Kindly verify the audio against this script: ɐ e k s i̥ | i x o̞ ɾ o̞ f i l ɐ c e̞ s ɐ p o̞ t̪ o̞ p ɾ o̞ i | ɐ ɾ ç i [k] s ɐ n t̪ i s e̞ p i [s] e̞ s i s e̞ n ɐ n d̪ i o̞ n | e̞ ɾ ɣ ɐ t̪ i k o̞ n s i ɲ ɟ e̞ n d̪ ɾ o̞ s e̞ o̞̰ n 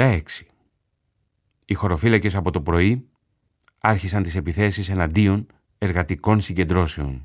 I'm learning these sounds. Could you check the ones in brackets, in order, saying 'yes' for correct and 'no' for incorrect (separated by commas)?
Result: no, no